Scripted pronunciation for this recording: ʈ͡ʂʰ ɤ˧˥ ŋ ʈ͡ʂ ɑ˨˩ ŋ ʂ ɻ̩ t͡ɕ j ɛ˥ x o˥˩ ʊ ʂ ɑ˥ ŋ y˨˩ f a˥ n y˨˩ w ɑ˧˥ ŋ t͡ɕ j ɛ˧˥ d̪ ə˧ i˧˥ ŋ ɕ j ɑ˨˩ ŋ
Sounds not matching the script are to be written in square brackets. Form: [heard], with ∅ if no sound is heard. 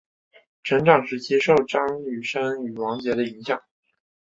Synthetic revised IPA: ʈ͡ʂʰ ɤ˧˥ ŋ ʈ͡ʂ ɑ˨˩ ŋ ʂ ɻ̩ t͡ɕ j ɛ˥ [ʂ] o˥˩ ʊ [ʈ͡ʂ] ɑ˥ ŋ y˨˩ [ʂ] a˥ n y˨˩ w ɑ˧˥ ŋ t͡ɕ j ɛ˧˥ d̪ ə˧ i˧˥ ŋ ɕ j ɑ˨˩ ŋ